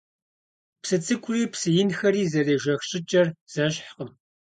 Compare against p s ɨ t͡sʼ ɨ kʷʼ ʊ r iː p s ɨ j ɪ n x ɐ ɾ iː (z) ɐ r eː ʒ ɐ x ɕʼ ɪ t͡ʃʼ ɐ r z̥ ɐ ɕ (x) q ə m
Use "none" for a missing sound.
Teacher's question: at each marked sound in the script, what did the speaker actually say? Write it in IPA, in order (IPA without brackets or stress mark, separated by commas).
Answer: z, ħ